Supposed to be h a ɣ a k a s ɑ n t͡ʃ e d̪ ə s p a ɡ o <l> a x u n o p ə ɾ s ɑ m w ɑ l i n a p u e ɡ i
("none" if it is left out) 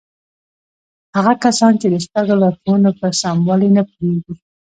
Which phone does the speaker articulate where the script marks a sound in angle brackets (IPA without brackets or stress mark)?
l